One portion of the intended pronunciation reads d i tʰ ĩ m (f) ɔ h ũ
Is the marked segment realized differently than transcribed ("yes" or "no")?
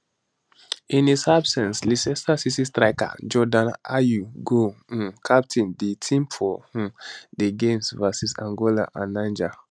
no